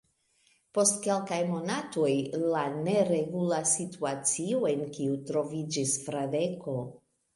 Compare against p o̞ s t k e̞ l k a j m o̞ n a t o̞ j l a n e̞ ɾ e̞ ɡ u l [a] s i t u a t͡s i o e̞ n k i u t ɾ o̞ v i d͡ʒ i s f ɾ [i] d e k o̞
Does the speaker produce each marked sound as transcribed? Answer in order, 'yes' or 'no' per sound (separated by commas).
yes, no